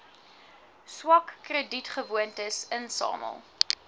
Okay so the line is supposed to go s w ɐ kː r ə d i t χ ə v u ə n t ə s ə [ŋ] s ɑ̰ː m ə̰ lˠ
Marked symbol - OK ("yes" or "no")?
no